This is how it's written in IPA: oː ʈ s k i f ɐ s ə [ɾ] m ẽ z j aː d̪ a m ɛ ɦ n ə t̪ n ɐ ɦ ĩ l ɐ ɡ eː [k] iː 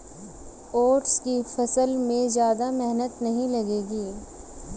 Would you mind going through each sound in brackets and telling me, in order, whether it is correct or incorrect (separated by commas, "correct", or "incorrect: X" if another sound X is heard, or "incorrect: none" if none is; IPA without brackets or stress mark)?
incorrect: l, incorrect: ɡ